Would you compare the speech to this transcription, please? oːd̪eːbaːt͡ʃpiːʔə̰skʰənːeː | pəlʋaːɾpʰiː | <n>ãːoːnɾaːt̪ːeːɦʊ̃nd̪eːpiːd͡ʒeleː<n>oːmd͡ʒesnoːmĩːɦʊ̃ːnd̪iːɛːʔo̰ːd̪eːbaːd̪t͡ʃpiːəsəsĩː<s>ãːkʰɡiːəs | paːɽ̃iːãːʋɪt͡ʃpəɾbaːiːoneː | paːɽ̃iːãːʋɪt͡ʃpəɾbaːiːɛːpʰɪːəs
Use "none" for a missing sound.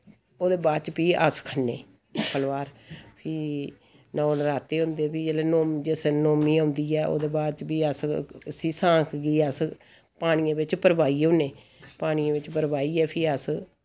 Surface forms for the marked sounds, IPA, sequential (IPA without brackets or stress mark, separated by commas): n, n, s